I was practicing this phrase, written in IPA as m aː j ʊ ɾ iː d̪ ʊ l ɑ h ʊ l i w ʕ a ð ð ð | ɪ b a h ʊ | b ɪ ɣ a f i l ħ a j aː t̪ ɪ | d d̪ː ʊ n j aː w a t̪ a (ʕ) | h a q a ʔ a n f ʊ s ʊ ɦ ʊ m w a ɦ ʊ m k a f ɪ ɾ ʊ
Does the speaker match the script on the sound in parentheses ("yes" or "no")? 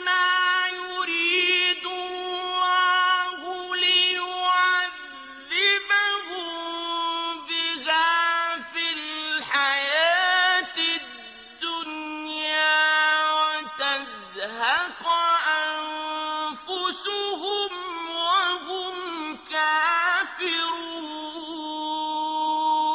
no